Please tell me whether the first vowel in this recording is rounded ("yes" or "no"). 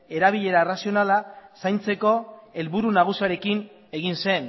no